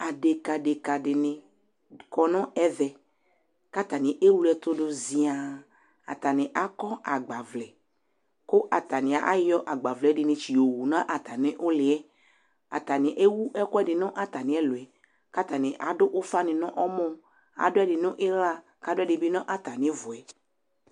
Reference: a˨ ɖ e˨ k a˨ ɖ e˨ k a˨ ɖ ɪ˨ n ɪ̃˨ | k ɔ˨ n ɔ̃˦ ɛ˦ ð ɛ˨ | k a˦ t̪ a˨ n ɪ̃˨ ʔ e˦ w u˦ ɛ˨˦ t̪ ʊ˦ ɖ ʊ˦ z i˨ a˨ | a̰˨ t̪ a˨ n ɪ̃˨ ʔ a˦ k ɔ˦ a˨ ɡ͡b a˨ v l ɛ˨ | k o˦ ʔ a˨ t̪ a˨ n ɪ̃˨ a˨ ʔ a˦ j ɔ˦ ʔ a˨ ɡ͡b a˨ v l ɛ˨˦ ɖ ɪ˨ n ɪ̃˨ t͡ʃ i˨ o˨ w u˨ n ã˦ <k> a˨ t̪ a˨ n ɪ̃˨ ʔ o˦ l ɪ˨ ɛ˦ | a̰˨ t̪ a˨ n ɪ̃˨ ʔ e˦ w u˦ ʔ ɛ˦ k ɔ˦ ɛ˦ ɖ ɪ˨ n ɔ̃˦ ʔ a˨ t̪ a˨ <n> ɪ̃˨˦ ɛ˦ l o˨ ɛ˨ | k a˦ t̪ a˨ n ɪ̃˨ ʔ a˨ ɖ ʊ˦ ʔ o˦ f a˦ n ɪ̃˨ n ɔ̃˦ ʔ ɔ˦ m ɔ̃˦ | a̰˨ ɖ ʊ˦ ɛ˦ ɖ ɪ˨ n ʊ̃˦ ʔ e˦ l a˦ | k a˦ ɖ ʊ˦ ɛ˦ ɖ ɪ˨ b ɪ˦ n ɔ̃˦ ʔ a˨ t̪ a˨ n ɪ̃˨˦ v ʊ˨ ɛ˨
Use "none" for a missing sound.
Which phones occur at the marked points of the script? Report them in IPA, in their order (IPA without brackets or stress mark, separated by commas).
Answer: ʔ, n